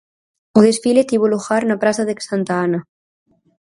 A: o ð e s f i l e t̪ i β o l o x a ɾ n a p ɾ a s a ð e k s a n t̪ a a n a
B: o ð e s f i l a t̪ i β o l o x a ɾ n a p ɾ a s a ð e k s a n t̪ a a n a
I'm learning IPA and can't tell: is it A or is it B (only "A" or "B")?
A